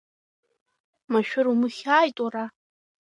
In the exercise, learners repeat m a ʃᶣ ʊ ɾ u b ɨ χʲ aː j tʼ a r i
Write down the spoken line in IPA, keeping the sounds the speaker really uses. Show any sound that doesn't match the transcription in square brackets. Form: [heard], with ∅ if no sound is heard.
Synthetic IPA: m a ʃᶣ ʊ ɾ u [m] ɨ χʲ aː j tʼ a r [a]